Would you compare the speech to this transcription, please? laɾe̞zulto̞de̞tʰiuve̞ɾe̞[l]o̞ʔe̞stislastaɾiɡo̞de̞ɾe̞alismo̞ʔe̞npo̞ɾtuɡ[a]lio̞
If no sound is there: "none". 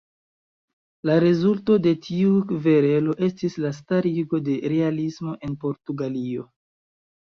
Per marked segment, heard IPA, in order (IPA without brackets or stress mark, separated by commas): l, a